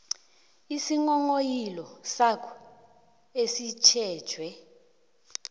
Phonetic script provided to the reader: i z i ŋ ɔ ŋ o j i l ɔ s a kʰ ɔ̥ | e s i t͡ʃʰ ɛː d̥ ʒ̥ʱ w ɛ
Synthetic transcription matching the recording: i s i ŋ ɔ ŋ o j i l ɔ s a kʰ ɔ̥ | e s i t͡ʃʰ ɛː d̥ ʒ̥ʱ w ɛ